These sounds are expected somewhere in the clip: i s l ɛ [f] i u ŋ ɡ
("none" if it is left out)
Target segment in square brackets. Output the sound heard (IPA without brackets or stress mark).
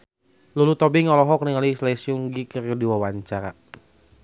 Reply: s